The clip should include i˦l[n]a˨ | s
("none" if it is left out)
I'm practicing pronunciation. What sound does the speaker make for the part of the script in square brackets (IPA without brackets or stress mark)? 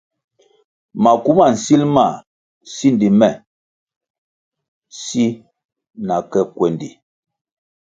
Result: m